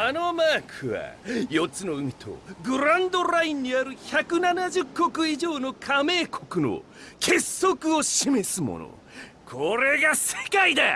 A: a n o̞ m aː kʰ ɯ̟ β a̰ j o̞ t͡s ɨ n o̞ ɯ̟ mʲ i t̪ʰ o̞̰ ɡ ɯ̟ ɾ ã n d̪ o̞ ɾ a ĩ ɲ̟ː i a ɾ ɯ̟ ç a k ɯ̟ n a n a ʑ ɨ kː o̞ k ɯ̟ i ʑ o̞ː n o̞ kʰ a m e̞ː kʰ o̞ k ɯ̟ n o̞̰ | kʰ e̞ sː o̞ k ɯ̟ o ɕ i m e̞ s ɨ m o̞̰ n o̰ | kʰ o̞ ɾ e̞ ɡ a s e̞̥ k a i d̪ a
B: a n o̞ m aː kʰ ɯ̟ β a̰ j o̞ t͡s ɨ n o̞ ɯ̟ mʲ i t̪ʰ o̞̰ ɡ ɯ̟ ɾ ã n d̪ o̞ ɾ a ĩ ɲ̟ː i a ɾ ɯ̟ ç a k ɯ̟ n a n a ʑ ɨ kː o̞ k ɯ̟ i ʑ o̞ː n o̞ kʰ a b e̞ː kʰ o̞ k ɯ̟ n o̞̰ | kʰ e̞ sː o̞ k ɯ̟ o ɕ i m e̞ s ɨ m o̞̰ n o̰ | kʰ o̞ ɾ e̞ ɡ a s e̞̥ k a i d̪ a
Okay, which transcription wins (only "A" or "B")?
A